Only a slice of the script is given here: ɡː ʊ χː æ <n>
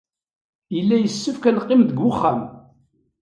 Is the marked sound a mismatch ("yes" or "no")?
yes